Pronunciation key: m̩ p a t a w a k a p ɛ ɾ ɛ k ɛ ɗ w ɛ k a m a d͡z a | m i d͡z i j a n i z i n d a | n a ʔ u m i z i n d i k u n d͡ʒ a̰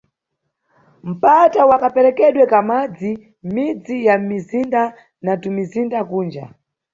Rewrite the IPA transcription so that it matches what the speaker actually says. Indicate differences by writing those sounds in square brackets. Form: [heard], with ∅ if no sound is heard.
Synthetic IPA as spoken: m̩ p a t a w a k a p ɛ ɾ ɛ k ɛ ɗ w ɛ k a m a d͡z [i] | m i d͡z i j a [m] i z i n d a | n a [t] u m i z i n d [a] k [uː] n d͡ʒ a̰